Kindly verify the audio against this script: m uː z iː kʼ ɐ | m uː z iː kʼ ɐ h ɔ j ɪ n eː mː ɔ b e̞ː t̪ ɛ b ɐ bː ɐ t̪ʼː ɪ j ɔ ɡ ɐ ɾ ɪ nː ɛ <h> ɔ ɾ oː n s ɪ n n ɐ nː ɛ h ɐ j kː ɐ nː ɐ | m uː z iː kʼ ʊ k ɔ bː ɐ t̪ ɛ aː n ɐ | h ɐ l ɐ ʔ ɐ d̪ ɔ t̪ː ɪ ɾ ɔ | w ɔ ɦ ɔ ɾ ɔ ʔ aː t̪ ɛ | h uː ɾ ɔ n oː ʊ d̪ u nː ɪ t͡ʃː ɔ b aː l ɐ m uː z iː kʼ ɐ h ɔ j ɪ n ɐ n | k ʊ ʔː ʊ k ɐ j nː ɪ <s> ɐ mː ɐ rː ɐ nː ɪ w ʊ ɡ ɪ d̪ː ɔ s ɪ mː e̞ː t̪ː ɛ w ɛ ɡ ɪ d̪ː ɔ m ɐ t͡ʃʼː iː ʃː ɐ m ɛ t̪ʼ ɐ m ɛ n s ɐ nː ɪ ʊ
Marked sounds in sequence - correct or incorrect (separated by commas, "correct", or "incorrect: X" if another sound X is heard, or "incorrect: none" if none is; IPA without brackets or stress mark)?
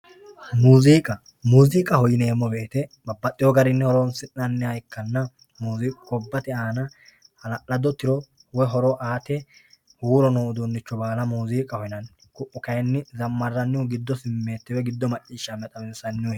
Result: correct, incorrect: z